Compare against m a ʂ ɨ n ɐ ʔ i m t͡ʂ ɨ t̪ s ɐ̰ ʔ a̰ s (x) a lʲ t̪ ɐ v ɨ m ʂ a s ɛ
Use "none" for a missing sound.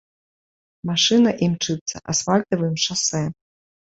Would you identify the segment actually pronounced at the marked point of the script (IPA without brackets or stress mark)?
f